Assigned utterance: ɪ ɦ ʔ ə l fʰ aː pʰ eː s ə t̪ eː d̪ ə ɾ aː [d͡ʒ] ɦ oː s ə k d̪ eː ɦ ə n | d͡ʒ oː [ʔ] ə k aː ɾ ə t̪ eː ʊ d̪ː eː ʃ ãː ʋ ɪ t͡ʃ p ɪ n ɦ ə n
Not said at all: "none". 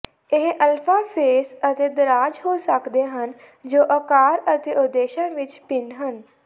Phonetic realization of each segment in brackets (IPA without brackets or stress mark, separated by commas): d͡ʒ, ʔ